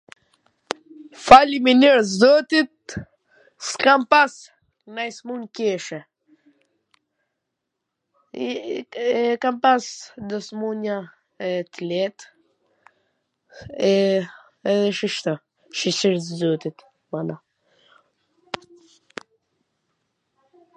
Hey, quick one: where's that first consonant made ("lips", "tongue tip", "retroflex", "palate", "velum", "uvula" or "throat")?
lips